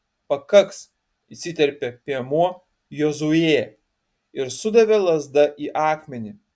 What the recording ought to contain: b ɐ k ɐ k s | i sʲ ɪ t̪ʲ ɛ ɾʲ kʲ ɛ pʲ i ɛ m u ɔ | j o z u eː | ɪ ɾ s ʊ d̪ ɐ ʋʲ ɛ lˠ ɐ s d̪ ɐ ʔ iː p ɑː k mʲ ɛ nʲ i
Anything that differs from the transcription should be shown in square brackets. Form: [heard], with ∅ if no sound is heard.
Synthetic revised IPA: [p] ɐ k ɐ k s | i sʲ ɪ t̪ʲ ɛ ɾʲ [pʲ] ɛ pʲ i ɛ m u ɔ | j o z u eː | ɪ ɾ s ʊ d̪ ɐ ʋʲ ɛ lˠ ɐ [z] d̪ ɐ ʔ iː [ʔ] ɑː k mʲ ɛ nʲ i

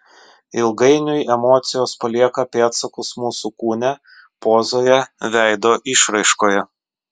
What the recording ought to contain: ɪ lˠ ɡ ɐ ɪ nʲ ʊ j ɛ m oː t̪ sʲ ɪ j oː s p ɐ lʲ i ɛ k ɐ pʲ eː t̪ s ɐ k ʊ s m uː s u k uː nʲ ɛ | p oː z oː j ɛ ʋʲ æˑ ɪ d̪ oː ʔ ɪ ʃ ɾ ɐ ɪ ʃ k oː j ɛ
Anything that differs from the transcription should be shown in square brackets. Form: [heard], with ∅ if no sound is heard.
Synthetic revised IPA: ɪ lˠ ɡ ɐ ɪ nʲ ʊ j ɛ m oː t̪ sʲ ɪ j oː s p ɐ lʲ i ɛ k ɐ pʲ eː t̪ s ɐ k ʊ s m uː s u k uː nʲ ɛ | p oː z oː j ɛ ʋʲ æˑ ɪ d̪ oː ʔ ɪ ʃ ɾ ɐ ɪ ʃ k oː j ɛ

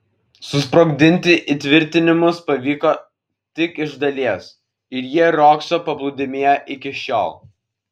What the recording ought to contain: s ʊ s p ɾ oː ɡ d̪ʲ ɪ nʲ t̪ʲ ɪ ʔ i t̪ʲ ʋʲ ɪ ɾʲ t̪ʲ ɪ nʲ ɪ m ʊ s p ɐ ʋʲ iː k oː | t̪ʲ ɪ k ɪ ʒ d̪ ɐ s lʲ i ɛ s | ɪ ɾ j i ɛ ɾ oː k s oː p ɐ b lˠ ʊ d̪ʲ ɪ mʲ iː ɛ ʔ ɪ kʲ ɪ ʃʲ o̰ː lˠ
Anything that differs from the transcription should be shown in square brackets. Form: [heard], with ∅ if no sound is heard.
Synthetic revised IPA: s ʊ s p ɾ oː ɡ d̪ʲ ɪ nʲ t̪ʲ ɪ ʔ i t̪ʲ ʋʲ ɪ ɾʲ t̪ʲ ɪ nʲ ɪ m ʊ s p ɐ ʋʲ iː k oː | t̪ʲ ɪ k ɪ ʒ d̪ ɐ [∅] lʲ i ɛ s | ɪ ɾ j i ɛ ɾ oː k s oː p ɐ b lˠ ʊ d̪ʲ ɪ mʲ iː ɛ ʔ ɪ kʲ ɪ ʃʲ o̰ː lˠ

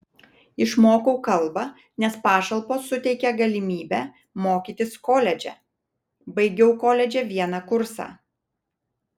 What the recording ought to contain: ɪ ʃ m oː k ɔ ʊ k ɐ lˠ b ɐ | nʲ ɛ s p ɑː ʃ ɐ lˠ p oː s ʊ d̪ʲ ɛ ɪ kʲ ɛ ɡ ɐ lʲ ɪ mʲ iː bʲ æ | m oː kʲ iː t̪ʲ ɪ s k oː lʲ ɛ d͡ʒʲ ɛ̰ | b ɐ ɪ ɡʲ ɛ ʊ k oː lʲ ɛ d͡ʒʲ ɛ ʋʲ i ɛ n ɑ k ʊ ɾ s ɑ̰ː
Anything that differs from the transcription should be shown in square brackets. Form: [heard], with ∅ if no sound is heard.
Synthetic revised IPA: ɪ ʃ m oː k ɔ ʊ k ɐ lˠ b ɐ | nʲ ɛ s p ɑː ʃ ɐ lˠ p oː s ʊ [t̪ʲ] ɛ ɪ kʲ ɛ ɡ ɐ lʲ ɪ mʲ iː bʲ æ | m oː kʲ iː t̪ʲ ɪ s k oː lʲ ɛ d͡ʒʲ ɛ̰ | b ɐ ɪ ɡʲ ɛ ʊ k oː lʲ ɛ d͡ʒʲ ɛ ʋʲ i ɛ n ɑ k ʊ ɾ s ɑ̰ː

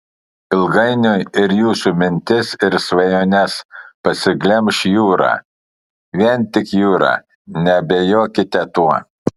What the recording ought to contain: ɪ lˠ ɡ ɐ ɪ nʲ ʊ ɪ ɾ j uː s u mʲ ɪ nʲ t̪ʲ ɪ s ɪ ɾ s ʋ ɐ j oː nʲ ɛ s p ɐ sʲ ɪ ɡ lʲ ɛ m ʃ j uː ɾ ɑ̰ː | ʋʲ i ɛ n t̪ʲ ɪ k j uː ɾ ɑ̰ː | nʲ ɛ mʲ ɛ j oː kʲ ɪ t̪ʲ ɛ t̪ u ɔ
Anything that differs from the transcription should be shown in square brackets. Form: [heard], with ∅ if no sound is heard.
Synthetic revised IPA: ɪ lˠ ɡ ɐ ɪ nʲ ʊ ɪ ɾ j uː s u mʲ ɪ nʲ t̪ʲ ɪ s ɪ ɾ s ʋ ɐ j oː nʲ ɛ s p ɐ sʲ ɪ ɡ lʲ ɛ m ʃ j uː ɾ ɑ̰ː | ʋʲ i ɛ n t̪ʲ ɪ k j uː ɾ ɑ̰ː | nʲ ɛ [bʲ] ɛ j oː kʲ ɪ t̪ʲ ɛ t̪ u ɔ

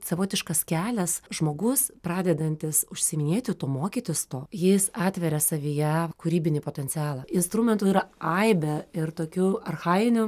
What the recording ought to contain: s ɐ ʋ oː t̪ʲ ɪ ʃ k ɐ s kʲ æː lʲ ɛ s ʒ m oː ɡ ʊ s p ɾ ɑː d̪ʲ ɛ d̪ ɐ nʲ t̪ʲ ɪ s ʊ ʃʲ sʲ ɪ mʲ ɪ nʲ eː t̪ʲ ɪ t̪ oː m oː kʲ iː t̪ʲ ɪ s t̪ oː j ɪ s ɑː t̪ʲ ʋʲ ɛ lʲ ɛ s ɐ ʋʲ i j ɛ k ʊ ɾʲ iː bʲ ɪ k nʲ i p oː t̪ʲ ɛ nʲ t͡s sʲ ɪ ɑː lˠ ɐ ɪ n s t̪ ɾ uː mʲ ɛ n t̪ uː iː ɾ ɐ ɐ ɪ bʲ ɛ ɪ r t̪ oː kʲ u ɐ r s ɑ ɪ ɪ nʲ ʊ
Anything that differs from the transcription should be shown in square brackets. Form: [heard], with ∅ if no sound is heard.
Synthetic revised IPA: s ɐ ʋ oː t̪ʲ ɪ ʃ k ɐ s kʲ æː lʲ ɛ s ʒ m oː ɡ ʊ s p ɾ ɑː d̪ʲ ɛ d̪ ɐ nʲ t̪ʲ ɪ s ʊ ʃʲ sʲ ɪ mʲ ɪ nʲ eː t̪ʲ ɪ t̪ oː m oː kʲ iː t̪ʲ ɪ s t̪ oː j ɪ s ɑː t̪ʲ ʋʲ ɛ [ɾʲ] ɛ s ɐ ʋʲ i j ɛ k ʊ ɾʲ iː bʲ ɪ [∅] nʲ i p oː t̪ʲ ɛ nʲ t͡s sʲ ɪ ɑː lˠ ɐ ɪ n s t̪ ɾ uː mʲ ɛ n t̪ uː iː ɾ ɐ ɐ ɪ bʲ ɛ ɪ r t̪ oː kʲ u ɐ r [x] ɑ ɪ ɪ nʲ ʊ

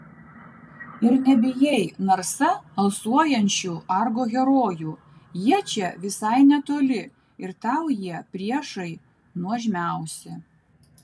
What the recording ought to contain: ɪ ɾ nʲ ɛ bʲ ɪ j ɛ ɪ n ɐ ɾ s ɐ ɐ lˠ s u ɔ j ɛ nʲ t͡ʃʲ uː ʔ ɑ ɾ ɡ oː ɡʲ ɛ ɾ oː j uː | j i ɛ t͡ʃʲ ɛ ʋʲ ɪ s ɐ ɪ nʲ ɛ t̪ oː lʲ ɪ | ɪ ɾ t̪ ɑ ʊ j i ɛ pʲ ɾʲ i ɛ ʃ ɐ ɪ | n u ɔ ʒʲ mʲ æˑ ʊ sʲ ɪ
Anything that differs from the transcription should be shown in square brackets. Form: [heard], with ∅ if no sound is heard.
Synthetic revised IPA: ɪ ɾ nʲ ɛ bʲ ɪ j ɛ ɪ n ɐ ɾ s ɐ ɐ lˠ s u ɔ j ɛ nʲ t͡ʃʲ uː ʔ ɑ ɾ ɡ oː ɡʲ ɛ ɾ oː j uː | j i ɛ t͡ʃʲ ɛ ʋʲ ɪ s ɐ ɪ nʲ ɛ t̪ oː lʲ ɪ | ɪ ɾ t̪ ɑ ʊ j i ɛ pʲ ɾʲ i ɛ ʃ ɐ ɪ | n u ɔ ʒʲ mʲ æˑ ʊ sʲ ɪ

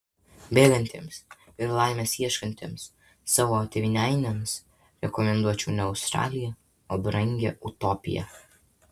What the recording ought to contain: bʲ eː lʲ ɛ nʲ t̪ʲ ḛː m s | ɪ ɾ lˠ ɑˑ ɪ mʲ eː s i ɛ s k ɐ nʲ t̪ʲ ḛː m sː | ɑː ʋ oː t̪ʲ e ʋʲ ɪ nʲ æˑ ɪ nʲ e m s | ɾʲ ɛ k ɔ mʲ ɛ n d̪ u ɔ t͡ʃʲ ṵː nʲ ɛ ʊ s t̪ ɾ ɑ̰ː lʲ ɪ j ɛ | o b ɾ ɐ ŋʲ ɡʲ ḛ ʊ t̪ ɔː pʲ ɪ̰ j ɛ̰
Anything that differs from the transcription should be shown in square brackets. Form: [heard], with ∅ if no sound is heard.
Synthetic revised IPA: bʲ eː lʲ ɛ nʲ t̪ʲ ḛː m s | ɪ ɾ lˠ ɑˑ ɪ mʲ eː s i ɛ [ʃ] k ɐ nʲ t̪ʲ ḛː m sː | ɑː ʋ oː t̪ʲ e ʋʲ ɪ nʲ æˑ ɪ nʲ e m s | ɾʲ ɛ k ɔ mʲ ɛ n d̪ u ɔ t͡ʃʲ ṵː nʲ ɛ ʊ s t̪ ɾ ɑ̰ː lʲ ɪ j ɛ | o b ɾ ɐ ŋʲ ɡʲ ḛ ʊ t̪ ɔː pʲ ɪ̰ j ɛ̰

